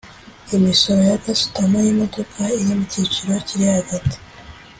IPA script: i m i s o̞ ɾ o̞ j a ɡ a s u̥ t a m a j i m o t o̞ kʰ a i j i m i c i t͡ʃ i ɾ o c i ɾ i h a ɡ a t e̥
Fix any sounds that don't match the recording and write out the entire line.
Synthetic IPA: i m i s o̞ ɾ o̞ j a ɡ a s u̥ t a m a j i m o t o̞ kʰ a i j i m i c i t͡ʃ i ɾ o c i ɾ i h a ɡ a t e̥